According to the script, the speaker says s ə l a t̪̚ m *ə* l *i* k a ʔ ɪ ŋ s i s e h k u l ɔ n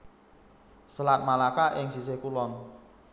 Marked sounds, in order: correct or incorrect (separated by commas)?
incorrect, incorrect